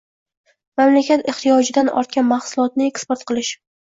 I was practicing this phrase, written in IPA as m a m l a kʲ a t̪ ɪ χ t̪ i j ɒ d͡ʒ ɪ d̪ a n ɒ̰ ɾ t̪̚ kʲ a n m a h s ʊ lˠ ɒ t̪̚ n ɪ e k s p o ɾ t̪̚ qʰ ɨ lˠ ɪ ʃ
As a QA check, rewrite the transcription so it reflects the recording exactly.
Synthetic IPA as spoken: m a m l a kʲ a t̪ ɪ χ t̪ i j ɒ d͡ʒ ɪ d̪ a n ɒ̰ ɾ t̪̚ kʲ a n m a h s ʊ lˠ ɒ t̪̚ n ɪ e k s p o ɾ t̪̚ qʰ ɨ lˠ ɪ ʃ